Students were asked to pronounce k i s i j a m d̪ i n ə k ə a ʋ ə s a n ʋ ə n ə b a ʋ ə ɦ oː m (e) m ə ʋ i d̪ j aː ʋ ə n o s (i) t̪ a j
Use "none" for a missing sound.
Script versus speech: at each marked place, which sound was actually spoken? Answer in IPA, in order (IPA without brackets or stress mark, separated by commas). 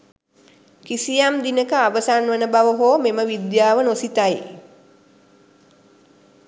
e, i